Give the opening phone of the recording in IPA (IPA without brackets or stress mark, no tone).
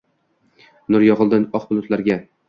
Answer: n